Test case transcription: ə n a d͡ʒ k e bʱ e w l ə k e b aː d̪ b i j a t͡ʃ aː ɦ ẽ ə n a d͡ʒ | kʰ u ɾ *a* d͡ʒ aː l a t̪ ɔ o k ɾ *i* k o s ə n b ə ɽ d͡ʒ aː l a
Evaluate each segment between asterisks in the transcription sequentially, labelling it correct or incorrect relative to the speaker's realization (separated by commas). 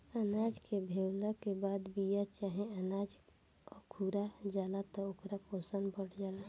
correct, incorrect